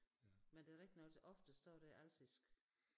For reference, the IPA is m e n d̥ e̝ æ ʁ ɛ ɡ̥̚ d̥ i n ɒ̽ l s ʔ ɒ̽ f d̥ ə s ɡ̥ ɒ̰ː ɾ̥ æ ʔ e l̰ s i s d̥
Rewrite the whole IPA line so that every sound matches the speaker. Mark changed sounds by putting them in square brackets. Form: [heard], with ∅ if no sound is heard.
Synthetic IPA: m e n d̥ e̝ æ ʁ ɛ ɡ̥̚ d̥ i n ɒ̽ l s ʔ ɒ̽ f d̥ ə s [d̥] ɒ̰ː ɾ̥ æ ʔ [æ] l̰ s i s [ɡ̥]